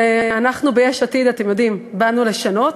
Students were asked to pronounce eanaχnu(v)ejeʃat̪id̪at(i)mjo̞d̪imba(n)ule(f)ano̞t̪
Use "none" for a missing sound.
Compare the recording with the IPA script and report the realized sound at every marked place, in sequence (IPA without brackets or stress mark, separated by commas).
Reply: b, e, n, ʃ